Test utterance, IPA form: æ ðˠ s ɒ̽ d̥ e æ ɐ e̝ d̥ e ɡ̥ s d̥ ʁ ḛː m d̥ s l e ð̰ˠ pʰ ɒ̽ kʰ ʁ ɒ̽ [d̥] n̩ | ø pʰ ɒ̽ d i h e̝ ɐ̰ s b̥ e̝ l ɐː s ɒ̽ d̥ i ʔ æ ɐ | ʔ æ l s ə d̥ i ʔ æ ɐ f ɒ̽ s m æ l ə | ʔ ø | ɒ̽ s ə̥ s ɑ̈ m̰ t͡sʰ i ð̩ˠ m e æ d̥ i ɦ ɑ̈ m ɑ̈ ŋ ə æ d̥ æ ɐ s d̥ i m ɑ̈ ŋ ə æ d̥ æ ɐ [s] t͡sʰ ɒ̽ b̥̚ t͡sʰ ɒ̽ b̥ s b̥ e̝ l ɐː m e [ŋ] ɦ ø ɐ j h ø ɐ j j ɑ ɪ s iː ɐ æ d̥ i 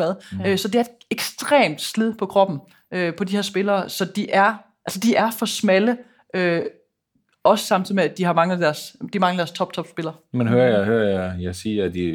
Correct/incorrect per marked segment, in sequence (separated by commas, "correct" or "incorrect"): incorrect, correct, incorrect